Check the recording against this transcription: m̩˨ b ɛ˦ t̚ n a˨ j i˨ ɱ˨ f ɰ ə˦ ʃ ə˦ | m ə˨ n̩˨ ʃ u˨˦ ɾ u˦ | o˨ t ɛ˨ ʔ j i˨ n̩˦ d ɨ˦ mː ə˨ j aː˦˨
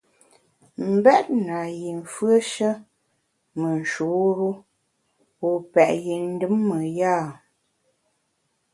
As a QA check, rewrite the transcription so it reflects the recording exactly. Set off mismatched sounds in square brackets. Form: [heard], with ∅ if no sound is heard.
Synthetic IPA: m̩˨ b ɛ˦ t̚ n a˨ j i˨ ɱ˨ f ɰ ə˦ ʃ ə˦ | m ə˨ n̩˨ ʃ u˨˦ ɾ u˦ | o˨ [p] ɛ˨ ʔ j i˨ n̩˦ d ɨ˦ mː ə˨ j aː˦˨